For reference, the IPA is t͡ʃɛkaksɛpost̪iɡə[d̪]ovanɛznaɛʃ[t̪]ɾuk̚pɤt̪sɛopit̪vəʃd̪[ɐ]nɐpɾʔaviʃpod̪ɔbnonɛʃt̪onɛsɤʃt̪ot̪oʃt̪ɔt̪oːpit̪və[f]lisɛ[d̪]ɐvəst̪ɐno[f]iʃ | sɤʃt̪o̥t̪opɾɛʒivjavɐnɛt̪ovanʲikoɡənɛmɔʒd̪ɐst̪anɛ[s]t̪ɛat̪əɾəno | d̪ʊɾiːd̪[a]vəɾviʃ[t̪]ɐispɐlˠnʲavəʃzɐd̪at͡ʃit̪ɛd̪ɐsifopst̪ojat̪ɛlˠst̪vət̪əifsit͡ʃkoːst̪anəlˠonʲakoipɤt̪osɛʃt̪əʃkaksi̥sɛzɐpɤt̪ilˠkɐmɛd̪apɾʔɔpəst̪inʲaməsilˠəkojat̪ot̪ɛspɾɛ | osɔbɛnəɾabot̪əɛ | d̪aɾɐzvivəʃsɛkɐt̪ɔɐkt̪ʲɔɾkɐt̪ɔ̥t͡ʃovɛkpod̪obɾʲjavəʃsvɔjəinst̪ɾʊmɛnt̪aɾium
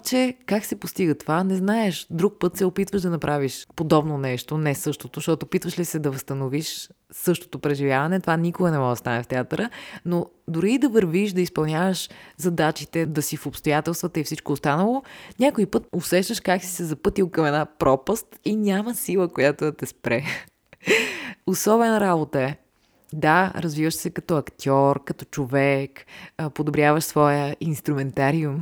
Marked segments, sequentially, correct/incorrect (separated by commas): incorrect, incorrect, correct, incorrect, correct, incorrect, incorrect, incorrect, incorrect